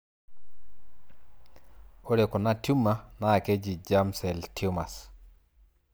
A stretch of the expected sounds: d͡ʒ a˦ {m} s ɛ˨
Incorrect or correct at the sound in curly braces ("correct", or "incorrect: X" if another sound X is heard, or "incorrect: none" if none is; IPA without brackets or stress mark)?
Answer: correct